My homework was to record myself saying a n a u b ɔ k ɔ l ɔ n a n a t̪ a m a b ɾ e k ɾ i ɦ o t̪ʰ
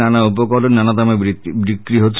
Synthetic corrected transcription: a n a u p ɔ k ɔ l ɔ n a n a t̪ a m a b ɾ i k ɾ i ɦ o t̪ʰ